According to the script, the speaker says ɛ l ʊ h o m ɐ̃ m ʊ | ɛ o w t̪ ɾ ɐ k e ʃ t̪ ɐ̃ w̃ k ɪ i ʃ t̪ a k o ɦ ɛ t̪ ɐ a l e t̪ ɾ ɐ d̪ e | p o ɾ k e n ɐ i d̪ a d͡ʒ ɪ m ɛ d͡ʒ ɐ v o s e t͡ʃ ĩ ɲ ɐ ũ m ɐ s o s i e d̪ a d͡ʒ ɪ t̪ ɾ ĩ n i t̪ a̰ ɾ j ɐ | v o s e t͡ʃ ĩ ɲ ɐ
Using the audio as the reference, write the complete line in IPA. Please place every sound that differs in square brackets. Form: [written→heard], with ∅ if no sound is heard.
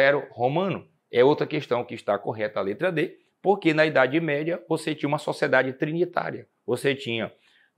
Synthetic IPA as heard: ɛ [l→ɾ] ʊ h o m ɐ̃ [m→n] ʊ | ɛ o w t̪ ɾ ɐ k e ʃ t̪ ɐ̃ w̃ k ɪ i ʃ t̪ a k o ɦ ɛ t̪ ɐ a l e t̪ ɾ ɐ d̪ e | p o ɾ k e n ɐ i d̪ a d͡ʒ ɪ m ɛ d͡ʒ ɐ v o s e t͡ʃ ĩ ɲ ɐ ũ m ɐ s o s i e d̪ a d͡ʒ ɪ t̪ ɾ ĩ n i t̪ a̰ ɾ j ɐ | v o s e t͡ʃ ĩ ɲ ɐ